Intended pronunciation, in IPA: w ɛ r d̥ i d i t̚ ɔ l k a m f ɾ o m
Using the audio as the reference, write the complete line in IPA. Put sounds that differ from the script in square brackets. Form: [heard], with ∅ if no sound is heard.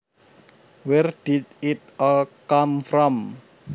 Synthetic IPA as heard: w ɛ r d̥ i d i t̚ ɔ l k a m f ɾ [ɔ] m